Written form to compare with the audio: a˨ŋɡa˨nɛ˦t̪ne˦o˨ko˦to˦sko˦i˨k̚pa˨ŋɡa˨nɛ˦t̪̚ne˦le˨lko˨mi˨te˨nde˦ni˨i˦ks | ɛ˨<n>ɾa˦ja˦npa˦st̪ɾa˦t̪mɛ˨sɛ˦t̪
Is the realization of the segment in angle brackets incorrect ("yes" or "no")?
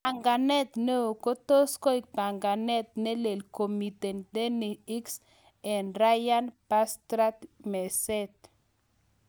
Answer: no